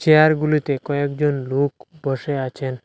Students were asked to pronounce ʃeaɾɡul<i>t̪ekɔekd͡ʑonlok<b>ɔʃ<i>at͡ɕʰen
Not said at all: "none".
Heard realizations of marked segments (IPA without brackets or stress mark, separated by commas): i, b, e